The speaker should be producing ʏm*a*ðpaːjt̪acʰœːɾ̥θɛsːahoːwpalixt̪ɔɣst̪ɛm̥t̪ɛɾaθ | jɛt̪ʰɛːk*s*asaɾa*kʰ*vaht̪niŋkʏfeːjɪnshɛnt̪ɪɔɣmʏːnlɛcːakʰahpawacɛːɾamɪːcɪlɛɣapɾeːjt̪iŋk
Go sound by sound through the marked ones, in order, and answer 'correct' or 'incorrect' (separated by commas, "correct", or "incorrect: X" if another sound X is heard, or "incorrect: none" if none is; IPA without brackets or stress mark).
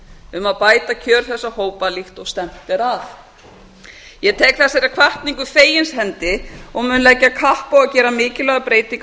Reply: correct, incorrect: θ, correct